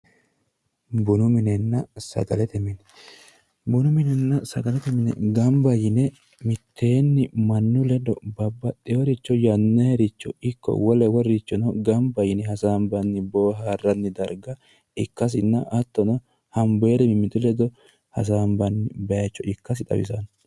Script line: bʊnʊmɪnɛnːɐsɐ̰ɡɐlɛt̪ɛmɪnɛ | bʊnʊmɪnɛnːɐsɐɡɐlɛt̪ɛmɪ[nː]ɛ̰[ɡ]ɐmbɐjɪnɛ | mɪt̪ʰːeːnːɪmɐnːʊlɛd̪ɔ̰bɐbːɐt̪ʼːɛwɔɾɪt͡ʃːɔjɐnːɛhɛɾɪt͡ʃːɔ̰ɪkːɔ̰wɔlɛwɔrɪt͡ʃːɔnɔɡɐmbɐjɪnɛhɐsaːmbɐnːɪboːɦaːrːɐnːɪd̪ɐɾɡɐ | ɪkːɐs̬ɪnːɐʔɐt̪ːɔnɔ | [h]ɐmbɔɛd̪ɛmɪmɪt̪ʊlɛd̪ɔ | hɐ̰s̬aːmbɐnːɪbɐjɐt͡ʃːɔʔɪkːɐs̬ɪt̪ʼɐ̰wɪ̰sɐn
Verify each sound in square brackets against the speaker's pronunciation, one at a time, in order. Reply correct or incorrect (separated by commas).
incorrect, correct, correct